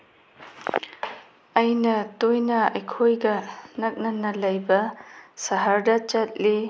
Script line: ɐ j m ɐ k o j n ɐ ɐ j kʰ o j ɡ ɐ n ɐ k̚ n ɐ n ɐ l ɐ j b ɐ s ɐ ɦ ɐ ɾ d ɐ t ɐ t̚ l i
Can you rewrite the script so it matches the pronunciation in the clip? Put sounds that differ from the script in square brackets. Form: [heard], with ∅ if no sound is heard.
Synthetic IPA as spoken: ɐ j [n] ɐ [t] o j n ɐ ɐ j kʰ o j ɡ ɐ n ɐ k̚ n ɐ n ɐ l ɐ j b ɐ s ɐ ɦ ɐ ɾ d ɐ [t͡ʃ] ɐ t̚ l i